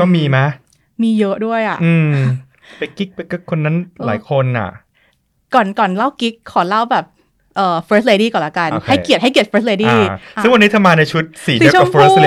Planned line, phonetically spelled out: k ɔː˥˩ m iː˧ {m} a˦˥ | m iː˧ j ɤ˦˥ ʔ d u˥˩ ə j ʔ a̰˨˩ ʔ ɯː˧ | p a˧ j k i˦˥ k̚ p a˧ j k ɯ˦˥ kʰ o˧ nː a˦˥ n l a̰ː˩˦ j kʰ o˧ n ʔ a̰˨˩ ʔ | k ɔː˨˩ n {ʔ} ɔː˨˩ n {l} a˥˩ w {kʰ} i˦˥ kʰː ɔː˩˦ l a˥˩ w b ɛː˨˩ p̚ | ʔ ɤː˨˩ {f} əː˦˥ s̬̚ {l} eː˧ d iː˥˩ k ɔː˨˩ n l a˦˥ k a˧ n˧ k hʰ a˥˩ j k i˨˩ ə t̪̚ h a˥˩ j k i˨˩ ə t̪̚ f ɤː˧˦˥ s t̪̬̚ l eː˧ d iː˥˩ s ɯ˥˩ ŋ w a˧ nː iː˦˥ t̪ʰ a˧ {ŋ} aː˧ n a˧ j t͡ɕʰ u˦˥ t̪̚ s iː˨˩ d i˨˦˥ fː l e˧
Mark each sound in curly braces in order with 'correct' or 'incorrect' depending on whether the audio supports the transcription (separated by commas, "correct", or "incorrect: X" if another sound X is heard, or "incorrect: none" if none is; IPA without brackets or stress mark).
correct, incorrect: k, correct, incorrect: k, correct, correct, incorrect: m